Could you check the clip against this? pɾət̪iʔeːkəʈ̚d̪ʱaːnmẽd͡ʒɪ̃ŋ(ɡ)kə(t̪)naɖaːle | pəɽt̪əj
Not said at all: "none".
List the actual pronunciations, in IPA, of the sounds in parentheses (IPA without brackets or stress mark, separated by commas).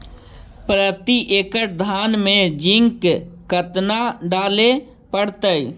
k, t̪